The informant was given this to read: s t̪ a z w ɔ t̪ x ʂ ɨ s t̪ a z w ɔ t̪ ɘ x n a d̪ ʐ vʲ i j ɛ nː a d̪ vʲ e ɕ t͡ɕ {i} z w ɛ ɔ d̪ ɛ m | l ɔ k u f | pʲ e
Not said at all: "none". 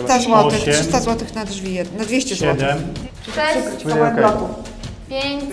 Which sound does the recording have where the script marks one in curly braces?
ɛ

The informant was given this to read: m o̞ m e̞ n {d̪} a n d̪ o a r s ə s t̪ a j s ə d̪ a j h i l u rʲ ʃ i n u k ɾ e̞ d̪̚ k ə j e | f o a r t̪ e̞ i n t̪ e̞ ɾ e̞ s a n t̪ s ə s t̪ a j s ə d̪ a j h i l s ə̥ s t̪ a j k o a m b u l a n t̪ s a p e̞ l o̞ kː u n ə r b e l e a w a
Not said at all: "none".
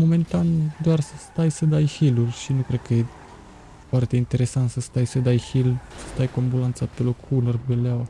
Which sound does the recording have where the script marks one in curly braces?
t̪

